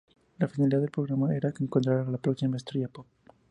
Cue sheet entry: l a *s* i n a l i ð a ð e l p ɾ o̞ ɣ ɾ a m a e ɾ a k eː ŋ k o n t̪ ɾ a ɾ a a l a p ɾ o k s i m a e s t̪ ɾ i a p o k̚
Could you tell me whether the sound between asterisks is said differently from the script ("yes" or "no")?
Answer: yes